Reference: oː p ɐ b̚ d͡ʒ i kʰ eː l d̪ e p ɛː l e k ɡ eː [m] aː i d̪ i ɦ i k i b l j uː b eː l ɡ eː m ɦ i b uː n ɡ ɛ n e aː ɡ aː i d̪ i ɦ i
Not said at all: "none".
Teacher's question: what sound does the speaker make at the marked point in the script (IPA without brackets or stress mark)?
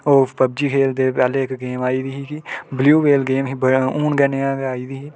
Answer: m